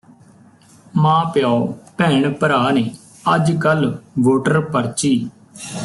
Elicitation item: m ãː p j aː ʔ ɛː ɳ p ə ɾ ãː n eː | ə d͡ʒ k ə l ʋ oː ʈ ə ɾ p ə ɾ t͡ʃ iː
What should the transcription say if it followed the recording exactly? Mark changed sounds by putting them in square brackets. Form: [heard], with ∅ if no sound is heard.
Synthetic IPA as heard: m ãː p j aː [p] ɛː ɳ p ə ɾ [aː] n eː | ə d͡ʒ k ə l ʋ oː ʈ ə ɾ p ə ɾ t͡ʃ iː